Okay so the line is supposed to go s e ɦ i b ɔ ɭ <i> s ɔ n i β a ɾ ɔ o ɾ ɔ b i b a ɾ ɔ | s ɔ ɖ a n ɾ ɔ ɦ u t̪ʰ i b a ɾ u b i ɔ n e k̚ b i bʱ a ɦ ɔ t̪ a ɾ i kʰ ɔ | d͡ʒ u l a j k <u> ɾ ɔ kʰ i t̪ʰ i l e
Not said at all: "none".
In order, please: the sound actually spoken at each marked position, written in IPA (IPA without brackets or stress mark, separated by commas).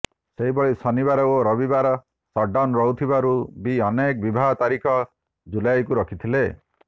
i, u